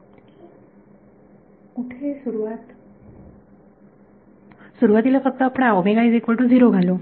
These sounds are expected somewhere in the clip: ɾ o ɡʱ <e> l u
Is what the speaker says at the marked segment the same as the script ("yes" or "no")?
no